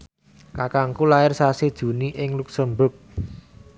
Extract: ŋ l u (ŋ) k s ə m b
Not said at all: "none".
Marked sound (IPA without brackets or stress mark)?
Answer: none